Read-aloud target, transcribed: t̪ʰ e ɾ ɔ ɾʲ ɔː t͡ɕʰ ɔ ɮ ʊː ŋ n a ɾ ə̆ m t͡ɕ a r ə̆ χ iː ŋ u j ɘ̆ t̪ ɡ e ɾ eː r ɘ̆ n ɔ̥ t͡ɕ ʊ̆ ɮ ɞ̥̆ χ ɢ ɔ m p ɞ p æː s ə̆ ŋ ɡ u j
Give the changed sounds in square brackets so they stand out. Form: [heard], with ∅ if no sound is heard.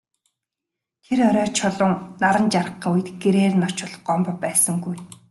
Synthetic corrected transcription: t̪ʰ e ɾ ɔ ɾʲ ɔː t͡ɕʰ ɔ ɮ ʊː ŋ n a ɾ ə̆ [n] t͡ɕ a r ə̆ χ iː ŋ u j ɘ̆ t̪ ɡ e ɾ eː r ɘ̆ n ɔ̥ t͡ɕ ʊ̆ ɮ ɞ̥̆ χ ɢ ɔ m p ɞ p æː s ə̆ ŋ ɡ u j